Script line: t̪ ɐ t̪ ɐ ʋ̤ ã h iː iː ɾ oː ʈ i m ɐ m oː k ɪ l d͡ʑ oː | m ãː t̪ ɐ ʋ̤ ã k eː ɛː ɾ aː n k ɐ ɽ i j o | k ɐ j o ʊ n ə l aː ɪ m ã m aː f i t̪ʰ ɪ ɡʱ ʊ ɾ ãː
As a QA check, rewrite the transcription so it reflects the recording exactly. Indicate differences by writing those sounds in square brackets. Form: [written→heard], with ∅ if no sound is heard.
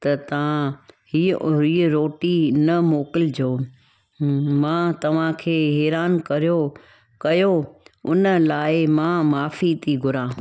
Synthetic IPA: t̪ ɐ t̪ ɐ ʋ̤ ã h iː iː ɾ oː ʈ i [m→n] ɐ m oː k ɪ l d͡ʑ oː | m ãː t̪ ɐ ʋ̤ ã [k→kʰ] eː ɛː ɾ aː n k ɐ [ɽ→ɾ] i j o | k ɐ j o ʊ n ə l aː ɪ m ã m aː f i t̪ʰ [ɪ→i] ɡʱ ʊ ɾ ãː